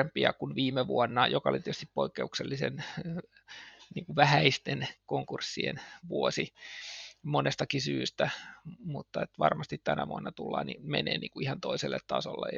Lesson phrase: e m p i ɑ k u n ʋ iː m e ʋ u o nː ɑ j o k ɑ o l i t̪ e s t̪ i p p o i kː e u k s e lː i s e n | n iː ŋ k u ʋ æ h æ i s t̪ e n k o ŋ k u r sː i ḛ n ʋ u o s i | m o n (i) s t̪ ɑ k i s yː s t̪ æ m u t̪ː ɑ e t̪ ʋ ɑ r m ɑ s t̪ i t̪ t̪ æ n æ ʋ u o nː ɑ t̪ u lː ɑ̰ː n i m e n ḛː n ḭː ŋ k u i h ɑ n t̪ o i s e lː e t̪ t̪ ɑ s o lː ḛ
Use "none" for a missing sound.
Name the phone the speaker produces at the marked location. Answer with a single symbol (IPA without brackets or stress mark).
e